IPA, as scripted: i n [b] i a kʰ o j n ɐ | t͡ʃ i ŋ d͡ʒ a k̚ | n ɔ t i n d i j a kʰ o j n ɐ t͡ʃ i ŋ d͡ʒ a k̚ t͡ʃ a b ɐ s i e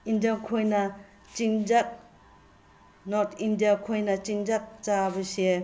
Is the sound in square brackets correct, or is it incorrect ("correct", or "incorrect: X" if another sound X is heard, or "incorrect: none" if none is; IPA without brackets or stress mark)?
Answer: incorrect: d